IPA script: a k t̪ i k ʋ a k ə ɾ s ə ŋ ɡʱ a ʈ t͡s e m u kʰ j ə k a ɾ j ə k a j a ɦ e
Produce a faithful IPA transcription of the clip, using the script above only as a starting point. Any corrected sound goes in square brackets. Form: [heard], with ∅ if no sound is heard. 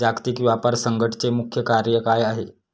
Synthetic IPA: a k t̪ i k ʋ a [p] ə ɾ s ə ŋ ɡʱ [ə] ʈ t͡s e m u kʰ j ə k a ɾ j ə k a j a ɦ e

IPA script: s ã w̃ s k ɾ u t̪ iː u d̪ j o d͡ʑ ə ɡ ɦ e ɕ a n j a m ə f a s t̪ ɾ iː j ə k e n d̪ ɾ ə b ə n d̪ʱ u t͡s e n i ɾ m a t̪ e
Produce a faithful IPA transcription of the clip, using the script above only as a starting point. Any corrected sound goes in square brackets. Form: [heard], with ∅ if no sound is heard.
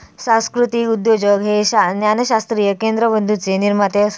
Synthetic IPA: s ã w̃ s k ɾ u t̪ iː u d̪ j o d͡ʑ ə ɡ ɦ e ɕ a n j a [n] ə [ɕ] a s t̪ ɾ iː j ə k e n d̪ ɾ ə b ə n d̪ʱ u t͡s e n i ɾ m a t̪ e

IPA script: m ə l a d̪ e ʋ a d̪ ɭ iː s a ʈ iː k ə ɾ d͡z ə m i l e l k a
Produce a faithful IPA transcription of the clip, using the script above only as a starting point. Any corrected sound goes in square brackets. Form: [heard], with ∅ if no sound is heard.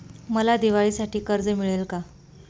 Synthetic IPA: m ə l a d̪ [i] ʋ a [∅] ɭ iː s a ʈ iː k ə ɾ d͡z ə m i [ɭ] e l k a

